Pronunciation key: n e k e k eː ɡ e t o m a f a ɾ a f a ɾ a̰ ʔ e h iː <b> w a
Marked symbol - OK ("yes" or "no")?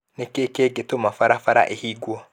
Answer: no